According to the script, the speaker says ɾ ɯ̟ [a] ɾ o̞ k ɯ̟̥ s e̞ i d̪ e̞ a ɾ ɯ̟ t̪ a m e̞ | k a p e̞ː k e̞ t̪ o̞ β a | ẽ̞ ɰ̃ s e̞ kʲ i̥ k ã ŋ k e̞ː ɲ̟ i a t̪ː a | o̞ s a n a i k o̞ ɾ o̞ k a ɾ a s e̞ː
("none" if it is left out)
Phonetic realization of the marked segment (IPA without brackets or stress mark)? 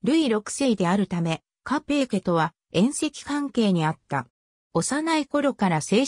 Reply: i